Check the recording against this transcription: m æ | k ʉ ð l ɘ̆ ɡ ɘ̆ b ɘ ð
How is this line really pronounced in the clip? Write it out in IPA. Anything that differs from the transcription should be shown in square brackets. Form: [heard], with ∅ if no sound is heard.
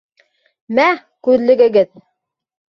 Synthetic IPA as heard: m æ | k ʉ ð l ɘ̆ ɡ ɘ̆ [ɡ] ɘ ð